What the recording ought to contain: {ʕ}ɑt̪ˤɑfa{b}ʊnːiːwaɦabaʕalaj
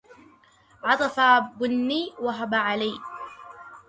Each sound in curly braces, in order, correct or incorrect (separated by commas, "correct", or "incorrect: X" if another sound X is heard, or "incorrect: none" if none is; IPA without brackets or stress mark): correct, correct